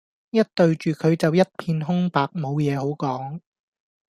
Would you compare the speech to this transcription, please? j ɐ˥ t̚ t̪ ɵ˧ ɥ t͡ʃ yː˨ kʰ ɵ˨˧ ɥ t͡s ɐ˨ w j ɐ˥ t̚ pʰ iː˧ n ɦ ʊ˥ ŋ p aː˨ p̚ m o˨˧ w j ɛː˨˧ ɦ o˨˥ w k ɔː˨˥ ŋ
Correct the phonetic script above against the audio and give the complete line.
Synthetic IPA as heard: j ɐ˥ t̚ t̪ ɵ˧ ɥ t͡ʃ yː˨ kʰ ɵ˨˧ ɥ t͡s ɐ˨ w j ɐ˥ t̚ pʰ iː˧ n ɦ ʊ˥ ŋ p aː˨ k̚ m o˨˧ w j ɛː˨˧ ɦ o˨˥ w k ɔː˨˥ ŋ